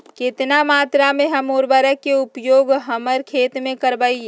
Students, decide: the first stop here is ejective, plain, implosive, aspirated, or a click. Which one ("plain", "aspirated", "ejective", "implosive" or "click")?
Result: plain